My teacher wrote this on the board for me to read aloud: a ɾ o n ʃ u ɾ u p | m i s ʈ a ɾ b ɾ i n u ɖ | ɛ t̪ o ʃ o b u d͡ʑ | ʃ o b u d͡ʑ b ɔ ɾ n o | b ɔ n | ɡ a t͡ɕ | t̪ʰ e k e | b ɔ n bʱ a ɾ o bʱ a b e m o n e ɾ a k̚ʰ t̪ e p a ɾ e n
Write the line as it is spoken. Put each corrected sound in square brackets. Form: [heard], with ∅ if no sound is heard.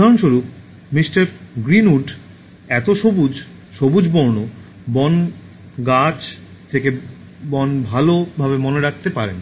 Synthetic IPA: a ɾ o n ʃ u ɾ u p | m i s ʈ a ɾ [ɡ] ɾ i n u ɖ | ɛ t̪ o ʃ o b u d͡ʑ | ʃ o b u d͡ʑ b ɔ ɾ n o | b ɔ n | ɡ a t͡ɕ | t̪ʰ e k e | b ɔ n bʱ a [l] o bʱ a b e m o n e ɾ a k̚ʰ t̪ e p a ɾ e n